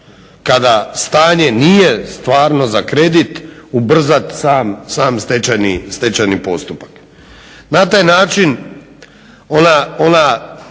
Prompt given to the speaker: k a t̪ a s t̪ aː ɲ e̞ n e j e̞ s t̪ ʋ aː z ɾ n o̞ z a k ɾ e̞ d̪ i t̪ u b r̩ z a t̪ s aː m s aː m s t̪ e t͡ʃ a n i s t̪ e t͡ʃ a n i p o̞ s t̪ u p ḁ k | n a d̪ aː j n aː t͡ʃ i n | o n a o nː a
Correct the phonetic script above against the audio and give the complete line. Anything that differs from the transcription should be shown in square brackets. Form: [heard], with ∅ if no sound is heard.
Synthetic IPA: k a [d̪] a s t̪ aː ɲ e̞ n [i] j e̞ s t̪ ʋ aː [∅] ɾ n o̞ z a k ɾ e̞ d̪ i t̪ u b r̩ z a t̪ s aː m s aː m s t̪ e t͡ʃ a n i s t̪ e t͡ʃ a n i p o̞ s t̪ u p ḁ k | n a [t̪] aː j n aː t͡ʃ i n | o n a o [n] a